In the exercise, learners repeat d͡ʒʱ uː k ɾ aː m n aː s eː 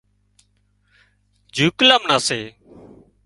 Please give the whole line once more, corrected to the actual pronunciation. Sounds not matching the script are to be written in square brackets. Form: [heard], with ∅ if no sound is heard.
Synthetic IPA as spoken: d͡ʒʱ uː k [l] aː m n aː s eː

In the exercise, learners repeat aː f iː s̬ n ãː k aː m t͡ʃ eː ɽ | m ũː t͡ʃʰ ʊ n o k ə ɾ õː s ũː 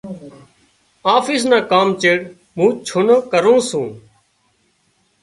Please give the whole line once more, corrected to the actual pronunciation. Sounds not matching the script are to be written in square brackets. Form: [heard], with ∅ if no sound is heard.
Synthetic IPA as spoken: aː f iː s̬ n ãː k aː m t͡ʃ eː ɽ | m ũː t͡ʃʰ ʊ n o k ə ɾ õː s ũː

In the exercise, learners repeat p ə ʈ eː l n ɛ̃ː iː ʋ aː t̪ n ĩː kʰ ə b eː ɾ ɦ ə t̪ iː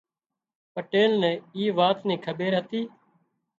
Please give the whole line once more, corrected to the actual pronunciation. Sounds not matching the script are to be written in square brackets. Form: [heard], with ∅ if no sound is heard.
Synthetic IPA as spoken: p ə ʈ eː l n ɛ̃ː iː ʋ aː t̪ n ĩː kʰ ə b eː ɾ ɦ ə t̪ iː

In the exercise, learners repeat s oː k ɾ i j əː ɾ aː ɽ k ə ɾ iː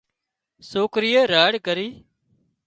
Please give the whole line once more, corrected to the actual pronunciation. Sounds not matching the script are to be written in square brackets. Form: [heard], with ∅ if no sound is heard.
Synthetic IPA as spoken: s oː k ɾ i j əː ɾ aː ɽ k ə ɾ iː

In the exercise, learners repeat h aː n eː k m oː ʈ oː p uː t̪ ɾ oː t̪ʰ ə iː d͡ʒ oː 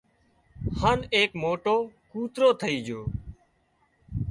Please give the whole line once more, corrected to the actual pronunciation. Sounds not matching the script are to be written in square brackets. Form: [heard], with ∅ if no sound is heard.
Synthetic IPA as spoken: h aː n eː k m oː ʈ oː [k] uː t̪ ɾ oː t̪ʰ ə iː d͡ʒ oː

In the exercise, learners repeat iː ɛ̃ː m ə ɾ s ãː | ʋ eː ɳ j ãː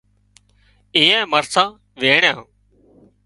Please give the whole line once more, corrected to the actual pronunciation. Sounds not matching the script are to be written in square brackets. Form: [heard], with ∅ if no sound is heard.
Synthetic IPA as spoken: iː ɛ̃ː m ə ɾ s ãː | ʋ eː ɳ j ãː

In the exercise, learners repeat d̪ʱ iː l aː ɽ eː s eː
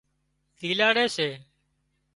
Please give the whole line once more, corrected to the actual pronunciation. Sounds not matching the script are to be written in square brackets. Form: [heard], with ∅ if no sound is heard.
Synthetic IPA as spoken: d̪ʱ iː l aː ɽ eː s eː

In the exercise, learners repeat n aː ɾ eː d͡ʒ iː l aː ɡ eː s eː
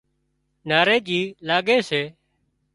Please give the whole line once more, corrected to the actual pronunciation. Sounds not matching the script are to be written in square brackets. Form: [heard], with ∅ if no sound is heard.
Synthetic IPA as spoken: n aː ɾ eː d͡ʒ iː l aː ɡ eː s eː

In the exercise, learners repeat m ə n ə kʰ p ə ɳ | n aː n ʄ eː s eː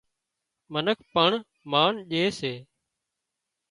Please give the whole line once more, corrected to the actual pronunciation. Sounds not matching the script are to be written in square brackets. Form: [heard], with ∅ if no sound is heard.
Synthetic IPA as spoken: m ə n ə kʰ p ə ɳ | [m] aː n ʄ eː s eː

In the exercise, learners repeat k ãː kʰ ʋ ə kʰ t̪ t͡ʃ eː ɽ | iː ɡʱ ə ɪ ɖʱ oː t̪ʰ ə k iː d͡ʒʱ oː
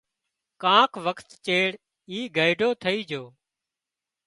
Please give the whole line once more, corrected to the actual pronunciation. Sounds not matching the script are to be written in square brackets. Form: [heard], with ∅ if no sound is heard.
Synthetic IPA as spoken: k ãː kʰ ʋ ə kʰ t̪ t͡ʃ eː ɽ | iː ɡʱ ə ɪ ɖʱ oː t̪ʰ ə [∅] iː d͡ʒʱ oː

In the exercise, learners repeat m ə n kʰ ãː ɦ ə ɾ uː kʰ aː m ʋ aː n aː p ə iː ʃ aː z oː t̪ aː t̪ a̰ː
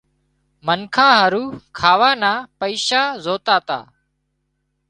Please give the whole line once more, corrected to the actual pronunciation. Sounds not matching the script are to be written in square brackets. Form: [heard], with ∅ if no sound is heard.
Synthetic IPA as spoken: m ə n kʰ ãː ɦ ə ɾ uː kʰ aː [∅] ʋ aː n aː p ə iː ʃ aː z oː t̪ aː t̪ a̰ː

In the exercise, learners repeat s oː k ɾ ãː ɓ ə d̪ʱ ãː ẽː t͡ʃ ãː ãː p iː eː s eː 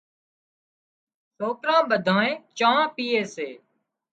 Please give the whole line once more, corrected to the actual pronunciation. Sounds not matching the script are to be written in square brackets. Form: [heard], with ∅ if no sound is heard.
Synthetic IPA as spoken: s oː k ɾ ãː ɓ ə d̪ʱ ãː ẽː t͡ʃ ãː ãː p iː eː s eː

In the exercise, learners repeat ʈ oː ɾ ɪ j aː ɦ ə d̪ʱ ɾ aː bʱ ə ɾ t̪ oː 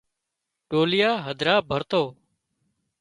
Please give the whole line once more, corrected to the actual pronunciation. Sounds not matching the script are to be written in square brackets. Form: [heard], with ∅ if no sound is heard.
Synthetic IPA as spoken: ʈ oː [l] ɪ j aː ɦ ə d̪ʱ ɾ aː bʱ ə ɾ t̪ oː

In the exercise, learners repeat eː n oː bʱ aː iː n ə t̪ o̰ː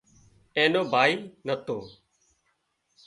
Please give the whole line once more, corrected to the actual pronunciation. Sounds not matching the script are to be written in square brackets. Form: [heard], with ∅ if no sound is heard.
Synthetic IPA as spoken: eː n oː bʱ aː iː n ə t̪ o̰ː

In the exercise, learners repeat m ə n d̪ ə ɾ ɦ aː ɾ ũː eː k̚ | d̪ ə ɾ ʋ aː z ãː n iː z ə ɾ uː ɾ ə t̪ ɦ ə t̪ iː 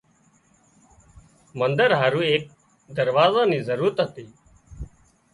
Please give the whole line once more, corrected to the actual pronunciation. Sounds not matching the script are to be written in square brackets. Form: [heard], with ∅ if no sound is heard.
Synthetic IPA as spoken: m ə n d̪ ə ɾ ɦ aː ɾ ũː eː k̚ | d̪ ə ɾ ʋ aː z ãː n iː z ə ɾ uː ɾ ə t̪ ɦ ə t̪ iː

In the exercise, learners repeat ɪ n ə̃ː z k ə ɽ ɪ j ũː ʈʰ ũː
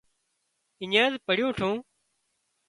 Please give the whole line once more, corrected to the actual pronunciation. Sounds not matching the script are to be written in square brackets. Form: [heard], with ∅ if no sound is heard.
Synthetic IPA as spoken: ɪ [ɲ] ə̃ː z [p] ə ɽ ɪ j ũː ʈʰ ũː

